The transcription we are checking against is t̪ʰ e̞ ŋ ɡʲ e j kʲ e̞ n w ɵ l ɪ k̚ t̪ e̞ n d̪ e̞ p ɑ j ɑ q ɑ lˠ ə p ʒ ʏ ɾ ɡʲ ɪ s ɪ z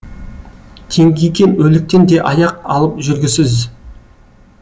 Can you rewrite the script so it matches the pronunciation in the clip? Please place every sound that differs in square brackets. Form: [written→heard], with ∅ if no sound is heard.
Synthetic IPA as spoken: t̪ʰ e̞ ŋ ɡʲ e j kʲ e̞ n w ɵ l ɪ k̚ t̪ e̞ n d̪ e̞ [p→ʔ] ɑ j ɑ q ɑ lˠ ə p ʒ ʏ ɾ ɡʲ ɪ s ɪ z